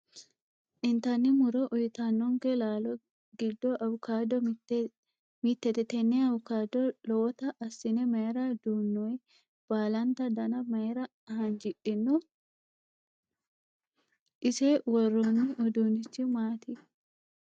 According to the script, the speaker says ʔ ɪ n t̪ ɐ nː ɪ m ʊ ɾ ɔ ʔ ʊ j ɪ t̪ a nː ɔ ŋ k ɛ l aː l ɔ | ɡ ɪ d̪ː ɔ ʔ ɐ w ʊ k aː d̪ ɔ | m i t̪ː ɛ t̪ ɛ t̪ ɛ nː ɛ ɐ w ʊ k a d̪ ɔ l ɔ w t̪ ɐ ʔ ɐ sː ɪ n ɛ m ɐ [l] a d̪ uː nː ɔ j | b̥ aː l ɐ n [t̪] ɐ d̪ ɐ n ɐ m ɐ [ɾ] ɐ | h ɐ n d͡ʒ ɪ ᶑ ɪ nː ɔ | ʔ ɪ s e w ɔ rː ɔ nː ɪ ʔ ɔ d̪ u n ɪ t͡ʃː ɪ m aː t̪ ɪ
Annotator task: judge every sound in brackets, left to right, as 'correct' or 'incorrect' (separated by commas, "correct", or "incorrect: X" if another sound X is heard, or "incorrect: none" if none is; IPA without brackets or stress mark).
incorrect: ɾ, correct, correct